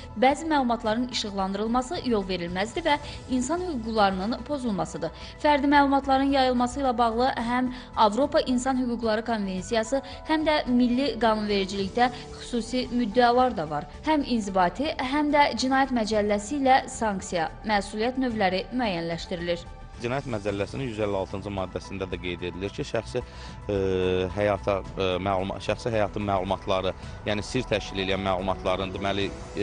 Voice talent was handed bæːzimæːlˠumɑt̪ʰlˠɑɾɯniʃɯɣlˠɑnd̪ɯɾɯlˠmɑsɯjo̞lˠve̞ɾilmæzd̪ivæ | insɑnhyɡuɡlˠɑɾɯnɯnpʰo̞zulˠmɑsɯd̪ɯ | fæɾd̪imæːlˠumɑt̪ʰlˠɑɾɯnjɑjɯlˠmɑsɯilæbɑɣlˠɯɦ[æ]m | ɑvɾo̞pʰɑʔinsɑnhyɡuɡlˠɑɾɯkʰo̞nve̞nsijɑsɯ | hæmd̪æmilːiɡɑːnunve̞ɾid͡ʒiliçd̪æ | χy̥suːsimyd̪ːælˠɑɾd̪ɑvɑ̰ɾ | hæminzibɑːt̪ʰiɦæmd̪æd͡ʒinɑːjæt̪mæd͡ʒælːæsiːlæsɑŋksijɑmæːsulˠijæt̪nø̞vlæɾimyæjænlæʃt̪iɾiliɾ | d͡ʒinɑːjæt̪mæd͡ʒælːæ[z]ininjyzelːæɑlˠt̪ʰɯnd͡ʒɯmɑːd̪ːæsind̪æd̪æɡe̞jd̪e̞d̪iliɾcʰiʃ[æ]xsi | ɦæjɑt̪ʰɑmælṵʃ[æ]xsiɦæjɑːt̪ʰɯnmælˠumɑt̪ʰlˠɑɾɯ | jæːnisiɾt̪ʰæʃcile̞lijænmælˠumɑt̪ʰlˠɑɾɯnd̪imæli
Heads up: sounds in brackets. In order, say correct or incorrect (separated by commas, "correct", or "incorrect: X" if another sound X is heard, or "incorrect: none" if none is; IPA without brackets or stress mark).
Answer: correct, incorrect: s, correct, correct